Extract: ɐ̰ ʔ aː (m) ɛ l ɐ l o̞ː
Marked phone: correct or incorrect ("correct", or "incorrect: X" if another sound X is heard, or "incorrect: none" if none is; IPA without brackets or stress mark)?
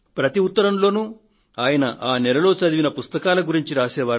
incorrect: n